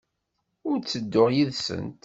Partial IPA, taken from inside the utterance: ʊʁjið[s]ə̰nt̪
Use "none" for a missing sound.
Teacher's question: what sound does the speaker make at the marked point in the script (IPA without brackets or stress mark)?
s